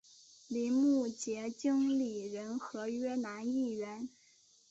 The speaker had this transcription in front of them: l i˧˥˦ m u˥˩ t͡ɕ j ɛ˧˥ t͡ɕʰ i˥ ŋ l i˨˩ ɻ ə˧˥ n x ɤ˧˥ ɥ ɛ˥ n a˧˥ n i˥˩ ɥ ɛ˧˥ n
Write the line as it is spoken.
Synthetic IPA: l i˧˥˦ m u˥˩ t͡ɕ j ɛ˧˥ t͡ɕ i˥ ŋ l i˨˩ ɻ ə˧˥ n x ɤ˧˥ ɥ ɛ˥ n a˧˥ n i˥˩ ɥ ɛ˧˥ n